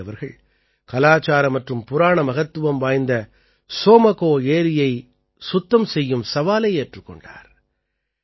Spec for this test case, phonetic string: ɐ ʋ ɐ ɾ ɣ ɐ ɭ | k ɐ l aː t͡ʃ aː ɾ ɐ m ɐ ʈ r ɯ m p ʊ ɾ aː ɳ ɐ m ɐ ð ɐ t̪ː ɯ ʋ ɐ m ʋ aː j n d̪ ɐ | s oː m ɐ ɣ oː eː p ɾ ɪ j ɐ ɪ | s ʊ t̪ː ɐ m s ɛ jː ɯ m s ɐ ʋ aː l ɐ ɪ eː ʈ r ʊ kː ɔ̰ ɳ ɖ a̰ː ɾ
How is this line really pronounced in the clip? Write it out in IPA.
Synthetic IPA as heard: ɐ ʋ ɐ ɾ ɣ ɐ ɭ | k ɐ l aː t͡ʃ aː ɾ ɐ m ɐ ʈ r ɯ m p ʊ ɾ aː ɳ ɐ m ɐ ɣ ɐ t̪ː ɯ ʋ ɐ m ʋ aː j n d̪ ɐ | s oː m ɐ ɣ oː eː ɾ ɪ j ɐ ɪ | s ʊ t̪ː ɐ m s ɛ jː ɯ m s ɐ ʋ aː l ɐ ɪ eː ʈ r ɯ kː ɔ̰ ɳ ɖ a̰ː ɾ